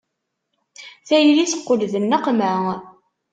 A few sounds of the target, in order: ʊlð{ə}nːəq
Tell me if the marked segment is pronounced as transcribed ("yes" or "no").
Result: yes